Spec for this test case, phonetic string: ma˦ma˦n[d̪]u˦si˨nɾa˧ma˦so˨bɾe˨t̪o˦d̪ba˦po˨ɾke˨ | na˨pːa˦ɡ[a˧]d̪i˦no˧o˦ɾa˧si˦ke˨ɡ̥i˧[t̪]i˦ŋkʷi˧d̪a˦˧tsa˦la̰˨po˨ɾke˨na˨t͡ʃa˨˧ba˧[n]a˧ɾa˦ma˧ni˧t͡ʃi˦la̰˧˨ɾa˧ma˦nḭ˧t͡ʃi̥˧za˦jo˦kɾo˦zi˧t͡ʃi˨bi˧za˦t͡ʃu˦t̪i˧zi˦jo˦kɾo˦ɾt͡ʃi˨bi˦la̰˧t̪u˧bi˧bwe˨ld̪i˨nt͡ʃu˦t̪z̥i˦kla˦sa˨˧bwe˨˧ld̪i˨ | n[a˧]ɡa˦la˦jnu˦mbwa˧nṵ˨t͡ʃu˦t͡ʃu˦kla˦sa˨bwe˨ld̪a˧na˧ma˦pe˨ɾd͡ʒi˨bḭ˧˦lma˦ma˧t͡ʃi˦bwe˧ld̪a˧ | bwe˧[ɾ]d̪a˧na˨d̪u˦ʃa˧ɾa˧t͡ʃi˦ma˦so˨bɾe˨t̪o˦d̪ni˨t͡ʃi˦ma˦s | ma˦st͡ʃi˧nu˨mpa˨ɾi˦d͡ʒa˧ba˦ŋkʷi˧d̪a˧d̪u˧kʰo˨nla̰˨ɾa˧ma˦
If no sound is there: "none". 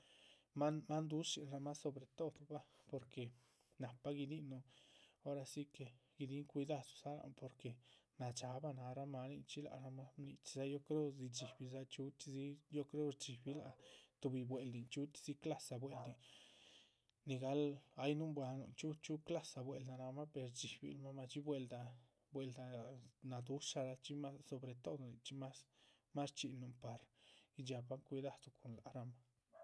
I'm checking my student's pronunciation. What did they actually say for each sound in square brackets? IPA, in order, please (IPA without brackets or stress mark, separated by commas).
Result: d̪, i˧, d̪, n, i˧, l